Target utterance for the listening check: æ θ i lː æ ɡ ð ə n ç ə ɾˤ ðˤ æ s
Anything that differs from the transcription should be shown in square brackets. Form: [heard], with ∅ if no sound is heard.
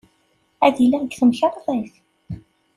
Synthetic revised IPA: æ [ð] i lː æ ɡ [θ] ə [m] ç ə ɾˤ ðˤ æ [θ]